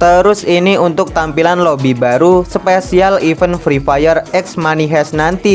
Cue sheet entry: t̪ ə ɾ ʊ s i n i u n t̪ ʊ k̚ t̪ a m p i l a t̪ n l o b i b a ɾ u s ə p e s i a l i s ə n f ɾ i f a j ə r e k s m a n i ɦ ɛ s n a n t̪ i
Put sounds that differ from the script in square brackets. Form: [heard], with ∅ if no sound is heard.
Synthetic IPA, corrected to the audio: t̪ ə ɾ ʊ s i n i u n t̪ ʊ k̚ t̪ a m p i l a [∅] n l o b i b a ɾ u s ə p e s i a l i [f] ə n f ɾ i f a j ə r [ɛ] k s m a n i ɦ ɛ s n a n t̪ i